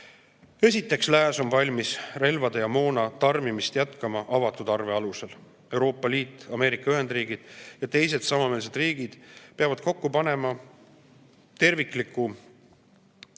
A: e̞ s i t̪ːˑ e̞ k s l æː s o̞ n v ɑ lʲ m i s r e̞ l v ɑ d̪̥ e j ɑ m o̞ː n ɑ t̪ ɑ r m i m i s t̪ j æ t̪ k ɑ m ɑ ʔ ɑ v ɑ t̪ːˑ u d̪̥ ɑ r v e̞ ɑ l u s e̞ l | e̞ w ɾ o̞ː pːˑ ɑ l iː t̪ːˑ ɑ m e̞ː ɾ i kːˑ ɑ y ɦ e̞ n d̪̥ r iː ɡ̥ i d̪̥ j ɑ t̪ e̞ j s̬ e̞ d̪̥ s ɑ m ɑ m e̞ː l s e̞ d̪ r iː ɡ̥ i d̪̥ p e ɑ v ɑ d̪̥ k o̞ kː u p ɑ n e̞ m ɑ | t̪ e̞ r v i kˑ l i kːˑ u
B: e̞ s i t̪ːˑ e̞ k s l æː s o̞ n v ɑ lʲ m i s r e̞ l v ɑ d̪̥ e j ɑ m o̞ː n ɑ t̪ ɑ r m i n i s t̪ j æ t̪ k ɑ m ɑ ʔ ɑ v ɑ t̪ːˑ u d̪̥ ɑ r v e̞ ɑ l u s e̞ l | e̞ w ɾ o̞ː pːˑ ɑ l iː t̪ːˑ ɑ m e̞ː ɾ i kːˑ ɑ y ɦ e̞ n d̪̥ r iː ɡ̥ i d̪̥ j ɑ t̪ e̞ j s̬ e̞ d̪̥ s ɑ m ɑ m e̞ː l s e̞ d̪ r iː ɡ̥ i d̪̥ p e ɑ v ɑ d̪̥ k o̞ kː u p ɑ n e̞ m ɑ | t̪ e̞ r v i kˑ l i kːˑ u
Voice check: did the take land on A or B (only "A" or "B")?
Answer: A